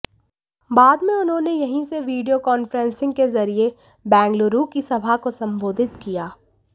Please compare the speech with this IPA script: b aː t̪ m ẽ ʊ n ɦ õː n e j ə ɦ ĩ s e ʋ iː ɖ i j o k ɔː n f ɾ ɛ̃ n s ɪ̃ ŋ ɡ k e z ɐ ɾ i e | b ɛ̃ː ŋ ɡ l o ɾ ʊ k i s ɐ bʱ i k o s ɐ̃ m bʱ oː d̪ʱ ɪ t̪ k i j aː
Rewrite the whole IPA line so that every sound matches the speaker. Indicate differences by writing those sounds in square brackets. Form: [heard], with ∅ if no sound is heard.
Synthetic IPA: b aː [d̪] m ẽ ʊ n ɦ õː n e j [ɐ] ɦ ĩ s e ʋ iː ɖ i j o k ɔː n f ɾ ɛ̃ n s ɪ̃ ŋ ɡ k e z ɐ ɾ i e | b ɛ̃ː ŋ ɡ l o ɾ [u] k i s ɐ bʱ [a] k o s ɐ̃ m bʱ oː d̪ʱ ɪ t̪ k i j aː